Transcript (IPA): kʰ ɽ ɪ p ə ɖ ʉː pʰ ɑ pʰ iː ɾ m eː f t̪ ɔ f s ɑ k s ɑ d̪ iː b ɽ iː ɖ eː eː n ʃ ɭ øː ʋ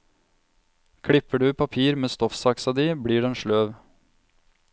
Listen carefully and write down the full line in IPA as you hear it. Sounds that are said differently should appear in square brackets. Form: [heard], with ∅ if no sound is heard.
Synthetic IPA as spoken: kʰ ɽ ɪ p ə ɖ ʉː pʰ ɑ pʰ iː ɾ m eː [s] t̪ ɔ f s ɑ k s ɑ d̪ iː b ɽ iː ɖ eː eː n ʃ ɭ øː ʋ